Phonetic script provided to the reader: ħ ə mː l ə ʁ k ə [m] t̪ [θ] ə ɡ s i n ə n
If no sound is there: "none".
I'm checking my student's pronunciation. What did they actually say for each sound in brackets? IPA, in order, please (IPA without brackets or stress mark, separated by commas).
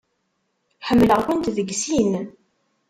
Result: n, ð